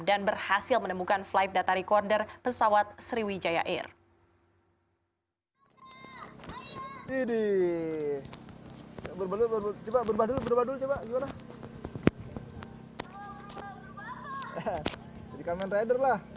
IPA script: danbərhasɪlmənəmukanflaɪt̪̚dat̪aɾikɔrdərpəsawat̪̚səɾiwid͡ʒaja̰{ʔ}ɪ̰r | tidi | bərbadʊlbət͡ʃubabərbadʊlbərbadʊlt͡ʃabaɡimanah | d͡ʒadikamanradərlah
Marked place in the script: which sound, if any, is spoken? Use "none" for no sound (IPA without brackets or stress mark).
ʔ